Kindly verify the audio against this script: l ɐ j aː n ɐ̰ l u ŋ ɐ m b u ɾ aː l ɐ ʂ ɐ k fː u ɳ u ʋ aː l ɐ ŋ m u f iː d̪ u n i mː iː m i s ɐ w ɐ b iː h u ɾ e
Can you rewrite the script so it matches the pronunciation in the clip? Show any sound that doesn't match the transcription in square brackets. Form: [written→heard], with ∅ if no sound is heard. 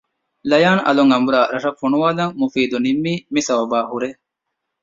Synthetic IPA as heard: l ɐ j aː n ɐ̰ l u ŋ ɐ m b u ɾ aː [l→ɾ] ɐ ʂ ɐ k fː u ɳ u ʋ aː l ɐ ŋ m u f iː d̪ u n i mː iː m i s ɐ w ɐ b [iː→aː] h u ɾ e